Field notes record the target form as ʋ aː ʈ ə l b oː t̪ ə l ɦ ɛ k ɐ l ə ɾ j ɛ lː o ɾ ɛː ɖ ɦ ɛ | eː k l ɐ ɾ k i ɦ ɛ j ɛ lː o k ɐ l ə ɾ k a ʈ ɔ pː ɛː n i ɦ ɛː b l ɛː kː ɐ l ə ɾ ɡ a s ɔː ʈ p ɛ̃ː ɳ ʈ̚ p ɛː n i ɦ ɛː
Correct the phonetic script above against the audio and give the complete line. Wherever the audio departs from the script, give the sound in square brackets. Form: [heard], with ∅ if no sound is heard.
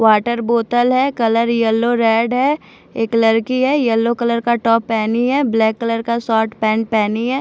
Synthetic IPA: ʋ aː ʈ ə [ɾ] b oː t̪ ə l ɦ ɛ k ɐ l ə ɾ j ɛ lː o ɾ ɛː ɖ ɦ ɛ | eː k l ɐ ɾ k i ɦ ɛ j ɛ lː o k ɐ l ə ɾ k a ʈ [ɔː] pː ɛː n i ɦ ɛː b l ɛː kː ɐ l ə ɾ [k] a s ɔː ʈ p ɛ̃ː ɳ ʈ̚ p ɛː n i ɦ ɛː

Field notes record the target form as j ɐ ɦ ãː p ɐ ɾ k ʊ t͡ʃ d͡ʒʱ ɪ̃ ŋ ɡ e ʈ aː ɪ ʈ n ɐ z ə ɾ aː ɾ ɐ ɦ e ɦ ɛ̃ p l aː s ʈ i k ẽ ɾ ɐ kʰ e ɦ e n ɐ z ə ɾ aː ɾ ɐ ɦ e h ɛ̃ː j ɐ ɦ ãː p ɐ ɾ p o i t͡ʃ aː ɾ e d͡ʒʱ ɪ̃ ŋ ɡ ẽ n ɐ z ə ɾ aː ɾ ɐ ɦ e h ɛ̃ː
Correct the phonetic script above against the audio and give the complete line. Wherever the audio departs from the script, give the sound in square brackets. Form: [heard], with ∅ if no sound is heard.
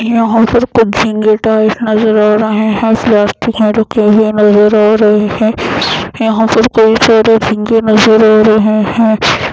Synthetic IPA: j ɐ ɦ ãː p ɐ ɾ k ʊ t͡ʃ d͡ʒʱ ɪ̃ ŋ ɡ e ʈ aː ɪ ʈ n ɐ z ə ɾ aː ɾ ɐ ɦ e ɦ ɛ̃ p l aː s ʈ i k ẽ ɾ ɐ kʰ e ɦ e n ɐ z ə ɾ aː ɾ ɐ ɦ e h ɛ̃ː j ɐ ɦ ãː p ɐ ɾ [k] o i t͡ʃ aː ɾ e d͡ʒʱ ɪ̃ ŋ ɡ [e] n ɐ z ə ɾ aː ɾ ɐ ɦ e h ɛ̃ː

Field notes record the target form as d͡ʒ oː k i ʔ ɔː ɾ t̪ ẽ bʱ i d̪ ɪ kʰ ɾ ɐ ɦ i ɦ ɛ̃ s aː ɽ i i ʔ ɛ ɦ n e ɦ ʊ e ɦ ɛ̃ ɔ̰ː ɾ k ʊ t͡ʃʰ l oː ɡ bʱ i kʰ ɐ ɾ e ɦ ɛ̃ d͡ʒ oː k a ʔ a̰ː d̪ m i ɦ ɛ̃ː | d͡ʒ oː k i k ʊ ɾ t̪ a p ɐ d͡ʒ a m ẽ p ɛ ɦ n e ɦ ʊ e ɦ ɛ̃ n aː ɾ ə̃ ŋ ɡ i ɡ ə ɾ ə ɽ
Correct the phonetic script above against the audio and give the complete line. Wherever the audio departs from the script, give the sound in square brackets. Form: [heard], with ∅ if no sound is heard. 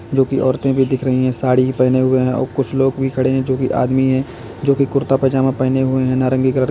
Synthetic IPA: d͡ʒ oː k i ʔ ɔː ɾ t̪ ẽ bʱ i d̪ ɪ kʰ ɾ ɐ ɦ i ɦ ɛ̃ s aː ɽ i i [p] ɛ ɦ n e ɦ ʊ e ɦ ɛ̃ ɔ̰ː ɾ k ʊ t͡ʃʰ l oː ɡ bʱ i kʰ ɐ [ɽ] e ɦ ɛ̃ d͡ʒ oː k [i] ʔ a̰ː d̪ m i ɦ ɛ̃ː | d͡ʒ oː k i k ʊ ɾ t̪ a p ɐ d͡ʒ a m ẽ p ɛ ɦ n e ɦ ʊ e ɦ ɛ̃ n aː ɾ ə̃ ŋ ɡ i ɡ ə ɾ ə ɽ

